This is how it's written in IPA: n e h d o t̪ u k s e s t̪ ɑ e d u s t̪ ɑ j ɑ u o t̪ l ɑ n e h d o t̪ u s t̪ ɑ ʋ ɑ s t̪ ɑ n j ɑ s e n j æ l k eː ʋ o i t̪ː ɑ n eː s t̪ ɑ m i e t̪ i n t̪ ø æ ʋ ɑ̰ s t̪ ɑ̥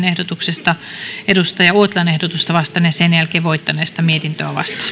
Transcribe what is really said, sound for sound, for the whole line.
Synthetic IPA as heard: n e h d o t̪ u k s e s t̪ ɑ e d u s t̪ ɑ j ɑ u o t̪ l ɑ n e h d o t̪ u s t̪ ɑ ʋ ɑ s t̪ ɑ n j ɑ s e n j æ l k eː ʋ o i t̪ː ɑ n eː s t̪ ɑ m i e t̪ i n t̪ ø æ ʋ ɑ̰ s t̪ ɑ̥